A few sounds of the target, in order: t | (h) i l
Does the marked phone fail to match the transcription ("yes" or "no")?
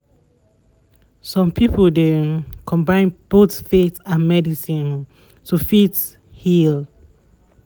no